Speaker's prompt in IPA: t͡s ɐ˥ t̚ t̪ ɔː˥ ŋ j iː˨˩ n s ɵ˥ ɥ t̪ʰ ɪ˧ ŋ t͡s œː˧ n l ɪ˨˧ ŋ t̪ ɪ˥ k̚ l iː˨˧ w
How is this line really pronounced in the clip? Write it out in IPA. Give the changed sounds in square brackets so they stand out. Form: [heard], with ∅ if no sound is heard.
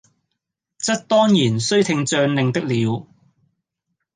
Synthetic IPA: t͡s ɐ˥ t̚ t̪ ɔː˥ ŋ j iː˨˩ n s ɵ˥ ɥ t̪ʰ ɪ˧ ŋ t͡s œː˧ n l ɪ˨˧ ŋ t̪ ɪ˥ k̚ l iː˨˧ w